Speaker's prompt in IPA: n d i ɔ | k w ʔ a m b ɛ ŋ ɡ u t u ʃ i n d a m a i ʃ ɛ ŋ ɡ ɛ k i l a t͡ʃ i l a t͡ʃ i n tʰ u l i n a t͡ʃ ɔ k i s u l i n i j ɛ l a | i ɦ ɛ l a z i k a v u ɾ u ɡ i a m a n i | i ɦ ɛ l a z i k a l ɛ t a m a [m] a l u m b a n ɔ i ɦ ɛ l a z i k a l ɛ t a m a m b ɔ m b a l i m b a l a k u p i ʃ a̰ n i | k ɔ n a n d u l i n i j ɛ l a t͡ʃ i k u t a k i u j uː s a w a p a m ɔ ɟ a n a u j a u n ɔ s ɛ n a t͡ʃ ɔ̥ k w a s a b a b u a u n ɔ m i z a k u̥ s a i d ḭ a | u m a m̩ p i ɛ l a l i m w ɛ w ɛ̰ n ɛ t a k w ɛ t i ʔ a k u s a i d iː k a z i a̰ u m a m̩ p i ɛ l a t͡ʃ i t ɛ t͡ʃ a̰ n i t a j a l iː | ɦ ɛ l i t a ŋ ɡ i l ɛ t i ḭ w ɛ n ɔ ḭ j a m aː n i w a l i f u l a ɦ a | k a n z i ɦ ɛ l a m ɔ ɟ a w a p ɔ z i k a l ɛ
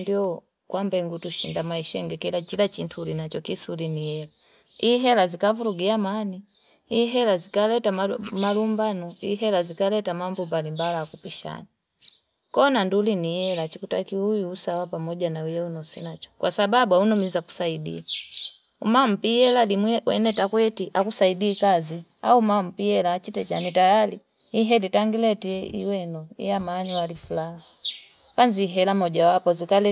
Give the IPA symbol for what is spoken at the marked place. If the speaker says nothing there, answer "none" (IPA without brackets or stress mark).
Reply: m